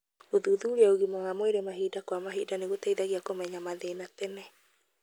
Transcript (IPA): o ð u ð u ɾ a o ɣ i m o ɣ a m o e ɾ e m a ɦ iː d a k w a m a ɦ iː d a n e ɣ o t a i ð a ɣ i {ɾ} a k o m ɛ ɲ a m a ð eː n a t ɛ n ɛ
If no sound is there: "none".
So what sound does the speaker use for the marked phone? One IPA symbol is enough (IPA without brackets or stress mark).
none